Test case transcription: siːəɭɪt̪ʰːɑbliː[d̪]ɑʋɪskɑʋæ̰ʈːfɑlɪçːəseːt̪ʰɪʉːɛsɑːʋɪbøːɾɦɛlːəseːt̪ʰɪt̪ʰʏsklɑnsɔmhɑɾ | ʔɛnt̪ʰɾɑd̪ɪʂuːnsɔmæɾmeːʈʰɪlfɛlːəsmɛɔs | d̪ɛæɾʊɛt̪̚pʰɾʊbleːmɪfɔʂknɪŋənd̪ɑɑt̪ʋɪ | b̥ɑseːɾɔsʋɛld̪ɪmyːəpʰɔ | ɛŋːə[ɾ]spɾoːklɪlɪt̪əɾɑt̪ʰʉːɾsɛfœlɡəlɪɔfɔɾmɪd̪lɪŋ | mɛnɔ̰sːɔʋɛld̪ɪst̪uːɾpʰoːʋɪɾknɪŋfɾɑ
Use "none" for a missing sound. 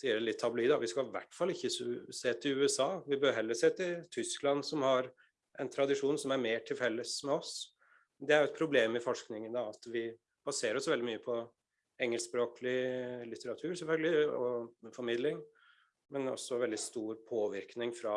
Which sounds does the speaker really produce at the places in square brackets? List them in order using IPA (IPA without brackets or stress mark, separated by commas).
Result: d̪, l